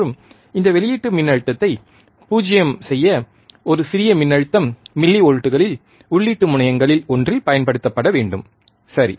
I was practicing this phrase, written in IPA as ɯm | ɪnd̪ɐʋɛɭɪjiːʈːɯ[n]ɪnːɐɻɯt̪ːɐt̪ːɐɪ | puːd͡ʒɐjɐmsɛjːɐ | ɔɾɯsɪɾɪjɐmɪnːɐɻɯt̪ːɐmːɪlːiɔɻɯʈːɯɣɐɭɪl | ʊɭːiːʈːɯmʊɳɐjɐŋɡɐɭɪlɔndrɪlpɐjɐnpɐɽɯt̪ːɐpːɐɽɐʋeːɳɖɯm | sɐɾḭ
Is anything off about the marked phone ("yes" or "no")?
yes